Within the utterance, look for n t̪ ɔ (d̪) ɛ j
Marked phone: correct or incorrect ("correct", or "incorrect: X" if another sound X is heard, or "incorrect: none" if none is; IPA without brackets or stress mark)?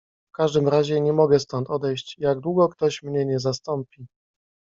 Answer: correct